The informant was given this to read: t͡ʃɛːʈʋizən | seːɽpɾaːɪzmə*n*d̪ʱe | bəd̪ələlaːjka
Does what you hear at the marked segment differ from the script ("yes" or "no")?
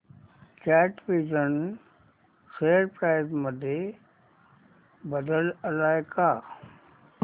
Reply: yes